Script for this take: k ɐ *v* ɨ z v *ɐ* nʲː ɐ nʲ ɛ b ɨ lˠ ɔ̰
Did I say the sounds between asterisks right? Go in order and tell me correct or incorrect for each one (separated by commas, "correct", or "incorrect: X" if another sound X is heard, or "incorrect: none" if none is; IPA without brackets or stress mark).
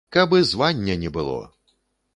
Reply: incorrect: b, incorrect: a